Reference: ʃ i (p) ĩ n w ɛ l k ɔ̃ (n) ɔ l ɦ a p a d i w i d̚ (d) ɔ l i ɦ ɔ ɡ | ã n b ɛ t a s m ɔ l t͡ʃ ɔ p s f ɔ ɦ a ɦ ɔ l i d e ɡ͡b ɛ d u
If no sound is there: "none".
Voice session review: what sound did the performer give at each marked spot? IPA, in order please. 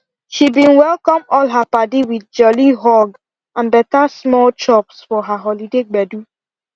b, m, d͡ʒ

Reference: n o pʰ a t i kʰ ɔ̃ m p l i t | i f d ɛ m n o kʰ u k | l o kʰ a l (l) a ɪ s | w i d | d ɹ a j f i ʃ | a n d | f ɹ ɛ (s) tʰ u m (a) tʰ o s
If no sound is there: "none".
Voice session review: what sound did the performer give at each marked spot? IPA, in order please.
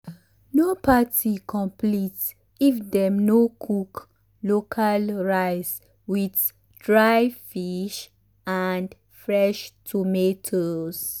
ɹ, ʃ, e

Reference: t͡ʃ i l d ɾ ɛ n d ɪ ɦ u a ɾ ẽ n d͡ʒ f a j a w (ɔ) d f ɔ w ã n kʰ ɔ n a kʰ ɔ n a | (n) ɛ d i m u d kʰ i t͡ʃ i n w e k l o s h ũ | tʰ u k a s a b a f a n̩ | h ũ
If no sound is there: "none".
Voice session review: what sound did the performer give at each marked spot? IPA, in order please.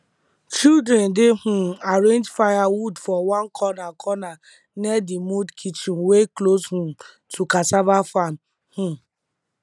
u, n

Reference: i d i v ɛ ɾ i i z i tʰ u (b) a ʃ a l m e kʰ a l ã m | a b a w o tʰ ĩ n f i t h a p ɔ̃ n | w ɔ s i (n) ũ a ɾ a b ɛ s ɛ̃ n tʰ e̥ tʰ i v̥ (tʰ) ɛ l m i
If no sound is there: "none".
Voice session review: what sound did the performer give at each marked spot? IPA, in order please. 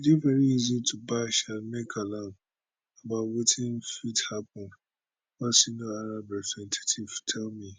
b, n, tʰ

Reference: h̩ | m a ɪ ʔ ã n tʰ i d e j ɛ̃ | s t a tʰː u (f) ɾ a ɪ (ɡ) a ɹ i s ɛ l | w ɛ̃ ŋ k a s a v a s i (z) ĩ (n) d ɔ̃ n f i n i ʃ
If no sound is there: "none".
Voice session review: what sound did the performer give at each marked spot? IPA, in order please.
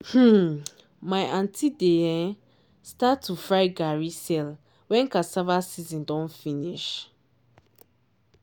f, ɡ, z, n

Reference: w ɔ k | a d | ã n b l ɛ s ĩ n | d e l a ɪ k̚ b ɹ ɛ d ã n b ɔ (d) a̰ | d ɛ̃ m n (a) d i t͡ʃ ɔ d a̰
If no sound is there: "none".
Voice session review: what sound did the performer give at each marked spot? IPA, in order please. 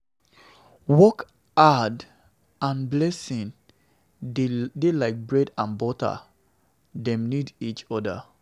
t, i

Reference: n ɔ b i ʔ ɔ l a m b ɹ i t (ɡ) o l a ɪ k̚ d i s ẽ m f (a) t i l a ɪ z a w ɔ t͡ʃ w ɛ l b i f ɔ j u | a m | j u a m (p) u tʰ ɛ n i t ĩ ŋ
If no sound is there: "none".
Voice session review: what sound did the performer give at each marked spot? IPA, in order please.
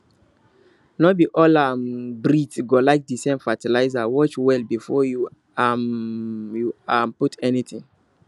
ɡ, a, p

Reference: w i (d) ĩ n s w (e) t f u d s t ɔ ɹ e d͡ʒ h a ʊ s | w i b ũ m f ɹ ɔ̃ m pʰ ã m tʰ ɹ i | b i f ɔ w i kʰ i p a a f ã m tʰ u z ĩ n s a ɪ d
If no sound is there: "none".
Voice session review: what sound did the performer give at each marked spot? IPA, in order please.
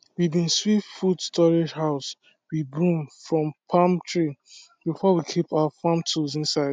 b, i

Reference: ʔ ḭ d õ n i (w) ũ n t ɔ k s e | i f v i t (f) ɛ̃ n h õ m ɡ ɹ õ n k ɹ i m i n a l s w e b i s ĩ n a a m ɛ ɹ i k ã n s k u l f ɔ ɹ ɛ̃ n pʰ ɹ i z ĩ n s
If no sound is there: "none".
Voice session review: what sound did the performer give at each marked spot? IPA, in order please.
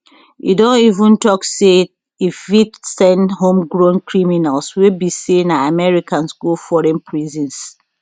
v, s

